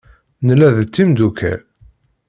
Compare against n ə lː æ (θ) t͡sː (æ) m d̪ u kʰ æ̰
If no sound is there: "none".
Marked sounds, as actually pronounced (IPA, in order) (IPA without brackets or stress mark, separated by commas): ð, i